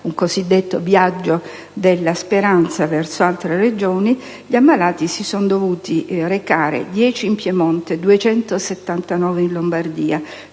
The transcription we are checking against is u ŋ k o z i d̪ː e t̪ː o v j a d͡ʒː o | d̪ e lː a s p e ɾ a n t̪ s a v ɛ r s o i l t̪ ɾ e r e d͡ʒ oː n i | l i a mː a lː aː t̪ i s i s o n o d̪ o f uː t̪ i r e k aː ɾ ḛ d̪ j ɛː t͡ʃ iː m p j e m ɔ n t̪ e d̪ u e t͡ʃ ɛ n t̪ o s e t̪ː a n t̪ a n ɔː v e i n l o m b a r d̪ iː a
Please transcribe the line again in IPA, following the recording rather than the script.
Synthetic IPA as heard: u ŋ k o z i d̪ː e t̪ː o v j a d͡ʒː o | d̪ e lː a s p e ɾ a n t̪ s a v ɛ r s o a l t̪ ɾ e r e d͡ʒ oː n i | ʎ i a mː a l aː t̪ i s i s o n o d̪ o v uː t̪ i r e k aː ɾ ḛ d̪ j ɛː t͡ʃ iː m p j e m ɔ n t̪ e d̪ u e t͡ʃ ɛ n t̪ o s e t̪ː a n t̪ a n ɔː v e i n l o m b a r d̪ iː a